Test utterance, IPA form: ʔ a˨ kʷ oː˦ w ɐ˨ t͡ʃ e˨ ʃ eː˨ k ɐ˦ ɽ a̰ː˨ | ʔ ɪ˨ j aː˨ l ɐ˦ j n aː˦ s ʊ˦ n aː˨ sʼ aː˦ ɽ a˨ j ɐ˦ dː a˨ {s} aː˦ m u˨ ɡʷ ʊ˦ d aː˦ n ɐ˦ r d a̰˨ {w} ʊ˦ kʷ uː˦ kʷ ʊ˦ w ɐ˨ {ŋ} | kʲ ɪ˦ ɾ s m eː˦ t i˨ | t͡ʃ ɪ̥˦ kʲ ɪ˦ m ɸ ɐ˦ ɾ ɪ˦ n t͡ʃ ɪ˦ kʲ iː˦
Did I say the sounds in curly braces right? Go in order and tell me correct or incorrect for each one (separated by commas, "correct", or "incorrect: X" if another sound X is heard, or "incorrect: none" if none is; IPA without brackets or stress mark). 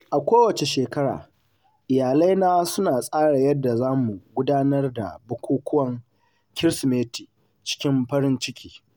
incorrect: z, incorrect: b, correct